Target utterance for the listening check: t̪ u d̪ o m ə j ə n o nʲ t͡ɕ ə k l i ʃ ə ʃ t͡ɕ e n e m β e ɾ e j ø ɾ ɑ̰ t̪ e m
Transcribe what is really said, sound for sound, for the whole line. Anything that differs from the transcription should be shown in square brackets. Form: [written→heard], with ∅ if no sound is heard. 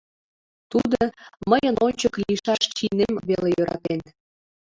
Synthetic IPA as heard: t̪ u d̪ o m ə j ə n o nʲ t͡ɕ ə k l i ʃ [ə→ɑ] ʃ t͡ɕ [e→i] n e m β e [ɾ→l] e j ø ɾ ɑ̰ t̪ e [m→n]